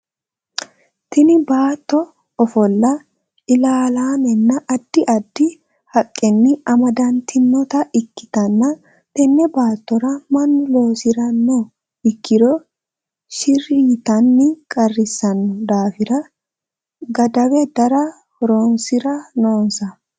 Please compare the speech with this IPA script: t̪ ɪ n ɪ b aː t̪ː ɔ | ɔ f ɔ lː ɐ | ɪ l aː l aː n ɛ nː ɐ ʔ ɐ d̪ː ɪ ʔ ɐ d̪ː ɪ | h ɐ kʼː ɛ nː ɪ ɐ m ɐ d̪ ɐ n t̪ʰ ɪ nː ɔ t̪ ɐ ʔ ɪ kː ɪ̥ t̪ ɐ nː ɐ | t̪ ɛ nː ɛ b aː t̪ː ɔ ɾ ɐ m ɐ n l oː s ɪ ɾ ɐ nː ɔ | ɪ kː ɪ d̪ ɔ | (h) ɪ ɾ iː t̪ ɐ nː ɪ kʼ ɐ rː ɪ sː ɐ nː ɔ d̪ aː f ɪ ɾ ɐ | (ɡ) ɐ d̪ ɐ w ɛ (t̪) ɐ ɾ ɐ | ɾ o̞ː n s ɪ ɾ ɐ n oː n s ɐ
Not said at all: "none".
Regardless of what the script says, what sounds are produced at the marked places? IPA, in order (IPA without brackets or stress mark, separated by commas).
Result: ʃ, ɡ, d̪